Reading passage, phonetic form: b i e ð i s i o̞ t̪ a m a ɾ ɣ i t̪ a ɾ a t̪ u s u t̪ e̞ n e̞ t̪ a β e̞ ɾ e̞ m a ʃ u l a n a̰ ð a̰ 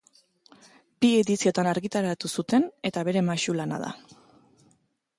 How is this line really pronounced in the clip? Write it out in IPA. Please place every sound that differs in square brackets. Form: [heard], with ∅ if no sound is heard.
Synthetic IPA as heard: b i e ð i s i o̞ t̪ a [n] a ɾ ɣ i t̪ a ɾ a t̪ u s u t̪ e̞ n e̞ t̪ a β e̞ ɾ e̞ m a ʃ u l a n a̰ ð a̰